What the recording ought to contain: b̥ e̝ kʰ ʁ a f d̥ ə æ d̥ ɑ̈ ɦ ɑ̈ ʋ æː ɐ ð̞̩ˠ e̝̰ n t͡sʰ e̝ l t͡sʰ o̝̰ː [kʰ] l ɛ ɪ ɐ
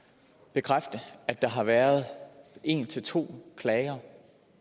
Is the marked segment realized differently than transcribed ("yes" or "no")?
no